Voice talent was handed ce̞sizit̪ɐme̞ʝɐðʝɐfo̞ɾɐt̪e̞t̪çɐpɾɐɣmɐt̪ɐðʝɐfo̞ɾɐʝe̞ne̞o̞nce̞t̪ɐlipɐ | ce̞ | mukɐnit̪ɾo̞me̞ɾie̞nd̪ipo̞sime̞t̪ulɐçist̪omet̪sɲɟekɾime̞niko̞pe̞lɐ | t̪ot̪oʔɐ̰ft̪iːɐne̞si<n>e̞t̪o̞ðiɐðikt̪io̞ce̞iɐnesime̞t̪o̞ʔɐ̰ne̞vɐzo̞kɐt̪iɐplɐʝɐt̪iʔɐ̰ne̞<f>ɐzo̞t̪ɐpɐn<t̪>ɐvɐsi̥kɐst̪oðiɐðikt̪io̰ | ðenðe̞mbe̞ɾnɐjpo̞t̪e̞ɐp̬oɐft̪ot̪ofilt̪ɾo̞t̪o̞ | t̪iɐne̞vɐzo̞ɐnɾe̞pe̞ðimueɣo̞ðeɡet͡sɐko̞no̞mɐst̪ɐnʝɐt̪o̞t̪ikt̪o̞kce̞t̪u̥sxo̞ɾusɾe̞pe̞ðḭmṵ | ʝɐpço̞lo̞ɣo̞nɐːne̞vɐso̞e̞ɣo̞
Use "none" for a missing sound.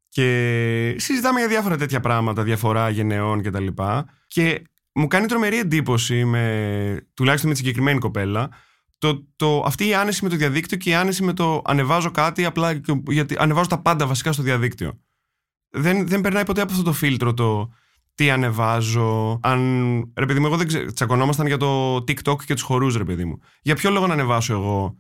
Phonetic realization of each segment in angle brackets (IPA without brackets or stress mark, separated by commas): m, v, d̪